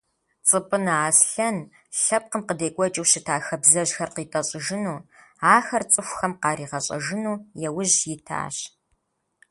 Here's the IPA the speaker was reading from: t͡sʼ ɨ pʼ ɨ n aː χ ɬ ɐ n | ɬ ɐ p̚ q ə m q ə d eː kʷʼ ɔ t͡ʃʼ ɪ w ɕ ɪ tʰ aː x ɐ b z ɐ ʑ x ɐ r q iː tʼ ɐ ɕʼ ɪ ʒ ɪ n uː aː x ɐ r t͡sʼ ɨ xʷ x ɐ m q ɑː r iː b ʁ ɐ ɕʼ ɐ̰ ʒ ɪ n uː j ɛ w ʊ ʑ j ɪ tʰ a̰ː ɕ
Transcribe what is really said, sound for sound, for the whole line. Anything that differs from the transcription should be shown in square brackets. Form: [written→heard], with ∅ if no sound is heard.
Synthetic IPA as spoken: t͡sʼ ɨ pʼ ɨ n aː [χ→s] ɬ ɐ n | ɬ ɐ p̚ q ə m q ə d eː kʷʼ ɔ t͡ʃʼ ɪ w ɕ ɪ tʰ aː x ɐ b z ɐ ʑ x ɐ r q iː tʼ ɐ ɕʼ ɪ ʒ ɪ n uː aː x ɐ r t͡sʼ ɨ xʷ x ɐ m q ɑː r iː [b→∅] ʁ ɐ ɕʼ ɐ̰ ʒ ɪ n uː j ɛ w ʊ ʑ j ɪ tʰ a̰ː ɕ